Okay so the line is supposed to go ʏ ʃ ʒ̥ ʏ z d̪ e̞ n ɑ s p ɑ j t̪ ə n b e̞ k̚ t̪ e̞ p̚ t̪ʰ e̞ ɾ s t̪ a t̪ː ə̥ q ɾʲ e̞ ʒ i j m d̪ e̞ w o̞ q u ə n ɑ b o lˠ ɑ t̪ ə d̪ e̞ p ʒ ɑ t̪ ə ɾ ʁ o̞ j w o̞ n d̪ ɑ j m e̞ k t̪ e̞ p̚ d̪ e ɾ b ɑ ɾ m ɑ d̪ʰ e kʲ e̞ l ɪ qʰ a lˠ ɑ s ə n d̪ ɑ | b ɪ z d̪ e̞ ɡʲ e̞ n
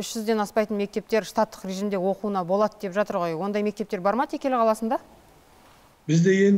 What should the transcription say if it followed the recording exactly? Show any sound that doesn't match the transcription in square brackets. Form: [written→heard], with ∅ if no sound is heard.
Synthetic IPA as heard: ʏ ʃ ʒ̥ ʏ z d̪ e̞ n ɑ s p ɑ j t̪ ə n [b→m] e̞ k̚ t̪ e̞ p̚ [t̪ʰ→t̪] e̞ ɾ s t̪ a t̪ː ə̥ q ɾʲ e̞ ʒ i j m d̪ e̞ w o̞ q u ə n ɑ b o lˠ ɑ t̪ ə d̪ e̞ p ʒ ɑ t̪ ə ɾ ʁ o̞ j w o̞ n d̪ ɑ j m e̞ k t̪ e̞ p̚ [d̪→t̪] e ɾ b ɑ ɾ m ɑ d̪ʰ e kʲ e̞ l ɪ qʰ [a→ɑ] lˠ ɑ s ə n d̪ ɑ | b ɪ z d̪ e̞ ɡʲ e̞ n